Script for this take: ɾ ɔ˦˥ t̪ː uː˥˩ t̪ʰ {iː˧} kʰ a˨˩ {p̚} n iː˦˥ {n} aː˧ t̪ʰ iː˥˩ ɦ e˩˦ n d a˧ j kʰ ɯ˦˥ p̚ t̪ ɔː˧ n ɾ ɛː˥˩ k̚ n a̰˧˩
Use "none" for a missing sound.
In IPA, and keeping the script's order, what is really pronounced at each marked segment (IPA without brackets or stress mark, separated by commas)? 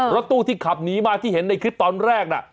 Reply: iː˥˩, p̚, m